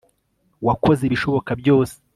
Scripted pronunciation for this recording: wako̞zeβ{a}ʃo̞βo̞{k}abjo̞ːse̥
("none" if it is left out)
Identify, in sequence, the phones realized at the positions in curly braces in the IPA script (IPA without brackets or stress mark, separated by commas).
i, k